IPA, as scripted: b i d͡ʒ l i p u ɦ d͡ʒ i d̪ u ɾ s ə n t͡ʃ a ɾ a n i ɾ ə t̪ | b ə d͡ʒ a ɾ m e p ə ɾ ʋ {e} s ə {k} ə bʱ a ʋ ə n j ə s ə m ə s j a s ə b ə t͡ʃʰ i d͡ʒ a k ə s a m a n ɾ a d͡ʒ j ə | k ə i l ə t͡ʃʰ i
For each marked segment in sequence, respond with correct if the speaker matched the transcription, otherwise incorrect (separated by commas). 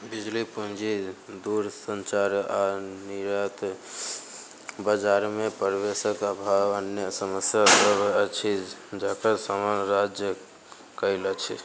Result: correct, correct